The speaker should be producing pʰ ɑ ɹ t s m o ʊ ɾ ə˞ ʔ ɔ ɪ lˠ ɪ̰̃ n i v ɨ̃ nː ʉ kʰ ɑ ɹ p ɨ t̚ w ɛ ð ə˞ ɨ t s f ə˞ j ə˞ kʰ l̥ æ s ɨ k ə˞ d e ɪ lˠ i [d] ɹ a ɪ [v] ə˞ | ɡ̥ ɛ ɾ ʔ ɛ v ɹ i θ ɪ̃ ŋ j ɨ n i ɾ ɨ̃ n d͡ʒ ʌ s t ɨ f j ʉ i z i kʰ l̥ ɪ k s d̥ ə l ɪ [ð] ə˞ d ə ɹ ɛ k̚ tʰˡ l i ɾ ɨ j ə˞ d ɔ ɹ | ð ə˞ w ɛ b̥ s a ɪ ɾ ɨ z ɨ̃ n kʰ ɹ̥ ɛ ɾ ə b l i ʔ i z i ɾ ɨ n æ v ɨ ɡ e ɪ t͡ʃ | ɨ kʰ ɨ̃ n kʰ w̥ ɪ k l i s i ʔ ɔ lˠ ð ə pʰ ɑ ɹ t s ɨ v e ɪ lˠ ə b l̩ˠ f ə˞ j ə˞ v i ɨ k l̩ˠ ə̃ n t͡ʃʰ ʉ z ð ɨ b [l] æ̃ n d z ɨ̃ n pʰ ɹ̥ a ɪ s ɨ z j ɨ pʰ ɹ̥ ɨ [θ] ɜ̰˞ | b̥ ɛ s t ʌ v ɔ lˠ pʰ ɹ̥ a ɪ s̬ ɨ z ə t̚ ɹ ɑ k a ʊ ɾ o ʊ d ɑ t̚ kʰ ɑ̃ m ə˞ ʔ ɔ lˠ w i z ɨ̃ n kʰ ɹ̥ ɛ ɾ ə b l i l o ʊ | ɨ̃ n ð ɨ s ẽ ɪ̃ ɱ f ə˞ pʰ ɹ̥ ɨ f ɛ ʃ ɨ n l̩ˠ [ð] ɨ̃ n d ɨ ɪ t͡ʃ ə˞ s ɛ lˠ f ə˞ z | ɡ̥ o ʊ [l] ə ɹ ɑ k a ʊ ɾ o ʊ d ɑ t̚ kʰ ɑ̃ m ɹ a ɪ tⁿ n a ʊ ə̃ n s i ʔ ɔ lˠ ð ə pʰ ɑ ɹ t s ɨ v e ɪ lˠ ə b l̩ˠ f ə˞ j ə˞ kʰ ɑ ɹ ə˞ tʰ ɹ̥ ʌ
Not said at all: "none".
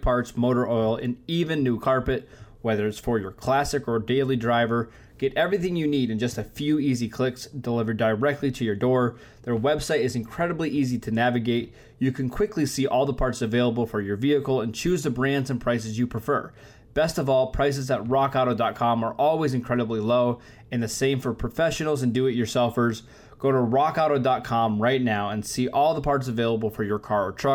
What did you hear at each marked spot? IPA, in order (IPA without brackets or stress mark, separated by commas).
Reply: d, v, v, ɹ, f, z, ɾ